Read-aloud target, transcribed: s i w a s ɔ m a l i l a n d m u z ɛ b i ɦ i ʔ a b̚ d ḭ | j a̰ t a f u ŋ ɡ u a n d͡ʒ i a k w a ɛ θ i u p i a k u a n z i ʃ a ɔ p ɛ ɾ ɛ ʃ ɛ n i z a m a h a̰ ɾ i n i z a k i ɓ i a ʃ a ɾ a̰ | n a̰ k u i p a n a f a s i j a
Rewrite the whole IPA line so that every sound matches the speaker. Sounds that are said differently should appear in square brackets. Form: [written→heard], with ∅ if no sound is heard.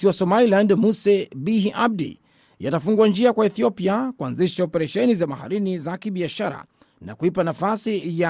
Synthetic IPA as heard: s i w a s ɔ m a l i l a n d m u [z→s] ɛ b i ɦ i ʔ a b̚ d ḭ | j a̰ t a f u ŋ ɡ u a n d͡ʒ i a k w a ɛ θ i [u→ɔ] p i a k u a n z i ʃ a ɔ p ɛ ɾ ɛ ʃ ɛ n i z a m a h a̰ ɾ i n i z a k i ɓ i a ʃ a ɾ a̰ | n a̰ k u i p a n a f a s i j a